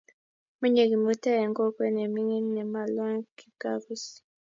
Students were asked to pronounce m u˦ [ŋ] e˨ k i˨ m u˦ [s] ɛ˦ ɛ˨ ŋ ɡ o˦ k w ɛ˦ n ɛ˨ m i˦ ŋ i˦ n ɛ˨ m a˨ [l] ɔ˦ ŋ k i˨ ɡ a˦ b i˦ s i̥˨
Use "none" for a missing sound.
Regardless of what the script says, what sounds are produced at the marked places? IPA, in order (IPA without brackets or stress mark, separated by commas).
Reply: ɲ, t, l